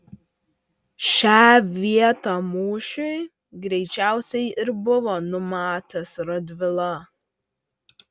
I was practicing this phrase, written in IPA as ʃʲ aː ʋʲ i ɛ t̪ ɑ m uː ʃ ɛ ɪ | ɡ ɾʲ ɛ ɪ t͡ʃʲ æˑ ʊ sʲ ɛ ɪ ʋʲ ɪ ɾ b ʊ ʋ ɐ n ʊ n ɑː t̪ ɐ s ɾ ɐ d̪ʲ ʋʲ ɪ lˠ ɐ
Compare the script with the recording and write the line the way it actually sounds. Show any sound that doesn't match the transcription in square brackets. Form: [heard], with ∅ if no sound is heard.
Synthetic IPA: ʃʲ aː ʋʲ i ɛ t̪ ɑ m uː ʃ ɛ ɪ | ɡ ɾʲ ɛ ɪ t͡ʃʲ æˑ ʊ sʲ ɛ ɪ [∅] ɪ ɾ b ʊ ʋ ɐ n ʊ [m] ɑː t̪ ɐ s ɾ ɐ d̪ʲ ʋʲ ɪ lˠ ɐ